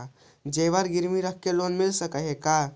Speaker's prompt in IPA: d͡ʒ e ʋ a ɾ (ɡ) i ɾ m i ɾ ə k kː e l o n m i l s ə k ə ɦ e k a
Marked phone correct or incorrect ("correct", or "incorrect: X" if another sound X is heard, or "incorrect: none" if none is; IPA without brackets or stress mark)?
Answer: correct